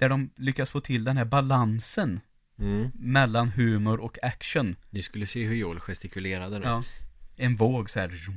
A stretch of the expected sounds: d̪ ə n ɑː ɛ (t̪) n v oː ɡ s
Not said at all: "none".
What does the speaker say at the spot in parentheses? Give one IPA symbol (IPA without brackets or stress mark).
none